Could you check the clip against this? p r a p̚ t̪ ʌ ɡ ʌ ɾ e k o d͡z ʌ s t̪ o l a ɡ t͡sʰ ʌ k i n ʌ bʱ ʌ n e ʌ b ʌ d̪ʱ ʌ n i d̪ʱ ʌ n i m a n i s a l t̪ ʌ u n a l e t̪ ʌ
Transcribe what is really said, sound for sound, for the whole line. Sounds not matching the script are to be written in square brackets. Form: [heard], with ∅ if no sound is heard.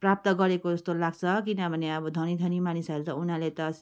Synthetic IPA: p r a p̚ t̪ ʌ ɡ ʌ ɾ e k o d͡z ʌ s t̪ o l a ɡ t͡sʰ ʌ k i n ʌ bʱ ʌ n e ʌ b ʌ d̪ʱ ʌ n i d̪ʱ ʌ n i m a n i s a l t̪ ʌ u n a l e t̪ ʌ